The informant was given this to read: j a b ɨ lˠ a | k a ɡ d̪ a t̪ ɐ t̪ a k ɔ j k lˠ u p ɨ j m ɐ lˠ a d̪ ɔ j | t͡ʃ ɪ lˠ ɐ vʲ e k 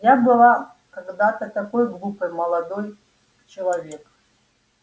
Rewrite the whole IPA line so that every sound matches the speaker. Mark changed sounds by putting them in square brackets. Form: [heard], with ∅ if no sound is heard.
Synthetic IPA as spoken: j a b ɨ lˠ a | k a ɡ d̪ a t̪ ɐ t̪ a k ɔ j [ɡ] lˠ u p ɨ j m ɐ lˠ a d̪ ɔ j | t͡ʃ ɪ lˠ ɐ vʲ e k